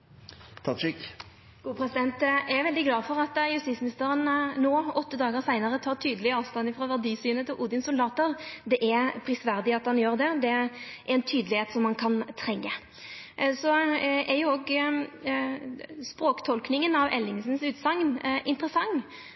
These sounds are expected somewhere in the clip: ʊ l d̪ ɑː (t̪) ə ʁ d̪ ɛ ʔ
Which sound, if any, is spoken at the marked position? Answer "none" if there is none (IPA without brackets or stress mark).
t̪